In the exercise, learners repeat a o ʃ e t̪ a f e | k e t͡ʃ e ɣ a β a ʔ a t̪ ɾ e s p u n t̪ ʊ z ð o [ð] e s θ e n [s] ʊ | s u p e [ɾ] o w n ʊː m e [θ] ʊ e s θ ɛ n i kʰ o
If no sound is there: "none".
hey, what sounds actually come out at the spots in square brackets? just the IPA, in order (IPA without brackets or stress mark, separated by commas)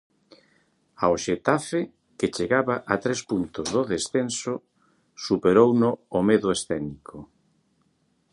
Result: ð, s, ɾ, ð